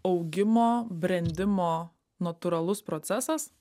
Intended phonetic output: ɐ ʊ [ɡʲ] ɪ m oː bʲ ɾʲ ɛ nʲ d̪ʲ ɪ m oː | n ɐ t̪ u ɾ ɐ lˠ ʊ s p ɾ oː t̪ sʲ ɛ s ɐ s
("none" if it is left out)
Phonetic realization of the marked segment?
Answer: ɡʲ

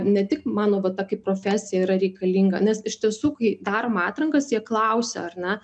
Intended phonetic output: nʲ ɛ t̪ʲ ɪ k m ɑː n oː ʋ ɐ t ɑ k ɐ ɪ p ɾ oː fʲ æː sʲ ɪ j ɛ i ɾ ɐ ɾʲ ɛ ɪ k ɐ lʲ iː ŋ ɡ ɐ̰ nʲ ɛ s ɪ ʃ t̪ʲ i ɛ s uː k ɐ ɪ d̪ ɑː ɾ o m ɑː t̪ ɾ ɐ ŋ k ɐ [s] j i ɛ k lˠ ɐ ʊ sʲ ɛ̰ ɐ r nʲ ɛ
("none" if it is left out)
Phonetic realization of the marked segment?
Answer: s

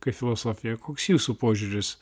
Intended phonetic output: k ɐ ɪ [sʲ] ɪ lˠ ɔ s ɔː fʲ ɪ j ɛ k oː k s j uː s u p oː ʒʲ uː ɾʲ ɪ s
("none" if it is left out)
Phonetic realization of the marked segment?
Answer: fʲ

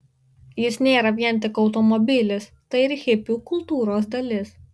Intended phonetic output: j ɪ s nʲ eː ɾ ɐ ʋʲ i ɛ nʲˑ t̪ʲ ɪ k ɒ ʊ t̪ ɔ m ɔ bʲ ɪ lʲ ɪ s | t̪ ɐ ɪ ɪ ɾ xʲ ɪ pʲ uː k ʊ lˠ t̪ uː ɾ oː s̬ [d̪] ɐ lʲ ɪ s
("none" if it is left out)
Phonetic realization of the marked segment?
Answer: d̪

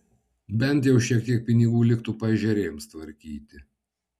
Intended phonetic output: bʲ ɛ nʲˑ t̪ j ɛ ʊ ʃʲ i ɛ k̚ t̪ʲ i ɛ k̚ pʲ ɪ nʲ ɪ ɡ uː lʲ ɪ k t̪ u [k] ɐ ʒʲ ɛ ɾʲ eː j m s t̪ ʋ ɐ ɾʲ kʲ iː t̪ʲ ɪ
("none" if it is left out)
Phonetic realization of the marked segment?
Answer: p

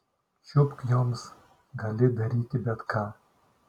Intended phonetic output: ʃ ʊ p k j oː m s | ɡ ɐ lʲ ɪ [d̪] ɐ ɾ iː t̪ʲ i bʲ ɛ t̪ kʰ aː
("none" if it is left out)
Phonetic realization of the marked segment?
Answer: d̪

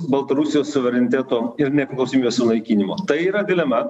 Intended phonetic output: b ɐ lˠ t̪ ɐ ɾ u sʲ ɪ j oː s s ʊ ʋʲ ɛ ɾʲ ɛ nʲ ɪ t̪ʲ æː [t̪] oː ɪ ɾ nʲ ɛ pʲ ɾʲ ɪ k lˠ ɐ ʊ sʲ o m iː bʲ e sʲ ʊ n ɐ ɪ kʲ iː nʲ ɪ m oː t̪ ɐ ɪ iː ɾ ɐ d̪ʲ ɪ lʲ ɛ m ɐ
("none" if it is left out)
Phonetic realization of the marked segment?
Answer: t̪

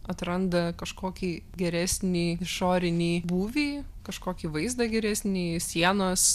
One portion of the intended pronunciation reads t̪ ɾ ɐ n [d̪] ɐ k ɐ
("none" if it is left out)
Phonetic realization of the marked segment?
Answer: d̪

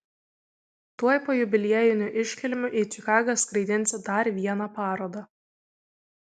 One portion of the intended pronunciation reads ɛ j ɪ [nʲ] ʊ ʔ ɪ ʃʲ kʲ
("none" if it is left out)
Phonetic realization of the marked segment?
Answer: nʲ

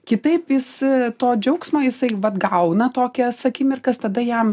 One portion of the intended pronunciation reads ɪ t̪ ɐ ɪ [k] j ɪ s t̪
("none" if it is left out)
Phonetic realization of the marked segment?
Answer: p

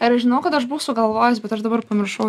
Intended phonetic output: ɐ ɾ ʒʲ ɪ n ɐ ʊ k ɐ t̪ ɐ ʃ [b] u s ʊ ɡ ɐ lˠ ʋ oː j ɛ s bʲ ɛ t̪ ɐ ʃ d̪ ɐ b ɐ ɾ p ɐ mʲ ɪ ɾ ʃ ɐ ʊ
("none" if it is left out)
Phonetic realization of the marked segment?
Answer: b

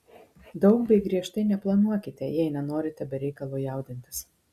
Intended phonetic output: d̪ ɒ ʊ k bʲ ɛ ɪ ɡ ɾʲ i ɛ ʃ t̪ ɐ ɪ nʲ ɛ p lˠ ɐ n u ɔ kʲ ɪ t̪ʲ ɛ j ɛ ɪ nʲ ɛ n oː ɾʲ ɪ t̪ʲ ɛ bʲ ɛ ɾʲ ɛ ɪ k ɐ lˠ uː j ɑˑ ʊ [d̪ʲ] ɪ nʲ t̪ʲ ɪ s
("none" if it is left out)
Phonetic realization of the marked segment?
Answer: d̪ʲ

